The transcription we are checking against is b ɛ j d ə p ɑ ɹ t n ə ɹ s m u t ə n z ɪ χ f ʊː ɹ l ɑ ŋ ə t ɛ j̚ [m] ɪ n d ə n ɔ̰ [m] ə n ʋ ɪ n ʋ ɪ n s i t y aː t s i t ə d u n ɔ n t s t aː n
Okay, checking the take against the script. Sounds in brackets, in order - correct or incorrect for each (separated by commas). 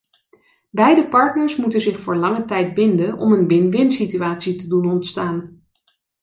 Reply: incorrect, correct